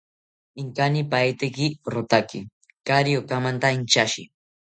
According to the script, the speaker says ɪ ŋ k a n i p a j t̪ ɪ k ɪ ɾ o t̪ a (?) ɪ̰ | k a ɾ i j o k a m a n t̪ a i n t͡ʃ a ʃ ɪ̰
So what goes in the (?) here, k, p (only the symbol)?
k